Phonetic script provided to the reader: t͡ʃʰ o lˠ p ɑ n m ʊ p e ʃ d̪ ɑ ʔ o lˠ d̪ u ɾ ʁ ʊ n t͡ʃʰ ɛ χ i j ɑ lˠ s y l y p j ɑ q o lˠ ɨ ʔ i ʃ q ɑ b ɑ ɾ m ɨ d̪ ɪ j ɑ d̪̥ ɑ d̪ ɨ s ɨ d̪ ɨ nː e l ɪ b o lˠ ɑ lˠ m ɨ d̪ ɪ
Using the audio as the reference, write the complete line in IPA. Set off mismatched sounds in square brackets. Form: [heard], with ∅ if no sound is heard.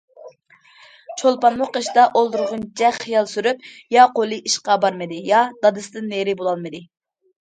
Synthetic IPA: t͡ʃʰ o lˠ p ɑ n m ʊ [q] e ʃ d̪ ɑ ʔ o lˠ d̪ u ɾ ʁ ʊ n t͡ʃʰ ɛ χ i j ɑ lˠ s y [ɾ] y p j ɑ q o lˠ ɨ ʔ i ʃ q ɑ b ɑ ɾ m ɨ d̪ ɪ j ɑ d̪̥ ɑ d̪ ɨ s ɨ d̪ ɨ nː e [ɾ] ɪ b o lˠ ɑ lˠ m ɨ d̪ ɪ